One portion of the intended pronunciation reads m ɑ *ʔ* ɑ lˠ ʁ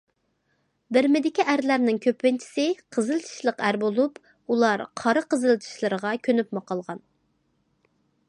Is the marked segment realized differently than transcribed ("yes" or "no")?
yes